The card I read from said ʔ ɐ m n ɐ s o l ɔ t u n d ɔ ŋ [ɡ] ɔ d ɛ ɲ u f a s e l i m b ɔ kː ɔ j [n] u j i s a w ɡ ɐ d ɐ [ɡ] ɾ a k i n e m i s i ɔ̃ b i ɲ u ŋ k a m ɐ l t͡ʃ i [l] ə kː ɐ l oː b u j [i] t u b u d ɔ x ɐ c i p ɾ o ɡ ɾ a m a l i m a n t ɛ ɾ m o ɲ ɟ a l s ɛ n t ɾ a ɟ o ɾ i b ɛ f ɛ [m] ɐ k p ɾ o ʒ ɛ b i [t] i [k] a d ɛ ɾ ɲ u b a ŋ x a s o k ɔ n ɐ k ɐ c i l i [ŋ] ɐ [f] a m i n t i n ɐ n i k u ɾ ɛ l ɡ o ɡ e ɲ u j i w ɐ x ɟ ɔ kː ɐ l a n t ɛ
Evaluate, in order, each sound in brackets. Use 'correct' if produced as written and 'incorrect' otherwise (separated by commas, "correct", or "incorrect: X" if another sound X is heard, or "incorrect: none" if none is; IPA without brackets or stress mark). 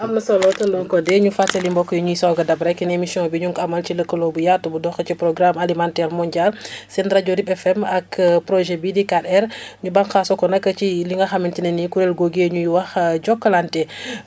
incorrect: k, incorrect: ɲ, incorrect: b, correct, incorrect: a, correct, incorrect: d, correct, correct, incorrect: x